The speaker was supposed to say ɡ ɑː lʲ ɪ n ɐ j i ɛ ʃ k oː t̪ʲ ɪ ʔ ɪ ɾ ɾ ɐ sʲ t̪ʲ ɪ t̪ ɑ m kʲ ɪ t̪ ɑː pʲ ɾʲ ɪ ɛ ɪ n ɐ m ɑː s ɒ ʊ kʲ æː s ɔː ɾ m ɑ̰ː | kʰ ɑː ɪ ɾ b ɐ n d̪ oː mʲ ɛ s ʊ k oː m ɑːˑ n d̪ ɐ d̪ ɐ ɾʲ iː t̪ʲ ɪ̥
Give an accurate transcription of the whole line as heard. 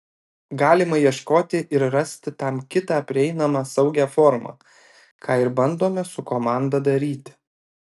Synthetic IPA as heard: ɡ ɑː lʲ ɪ m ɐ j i ɛ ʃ k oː t̪ʲ ɪ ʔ ɪ ɾ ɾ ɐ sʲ t̪ʲ ɪ t̪ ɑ m kʲ ɪ t̪ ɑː pʲ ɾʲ ɪ ɛ ɪ n ɐ m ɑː s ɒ ʊ ɡʲ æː f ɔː ɾ m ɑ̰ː | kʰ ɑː ɪ ɾ b ɐ n d̪ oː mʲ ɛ s ʊ k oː m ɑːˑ n d̪ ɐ d̪ ɐ ɾʲ iː t̪ʲ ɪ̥